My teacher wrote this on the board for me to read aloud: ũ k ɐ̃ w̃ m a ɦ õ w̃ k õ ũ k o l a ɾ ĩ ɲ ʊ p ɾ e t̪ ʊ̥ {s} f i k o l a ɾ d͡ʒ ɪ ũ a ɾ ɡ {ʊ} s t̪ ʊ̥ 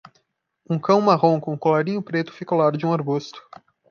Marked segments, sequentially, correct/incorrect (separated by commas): incorrect, incorrect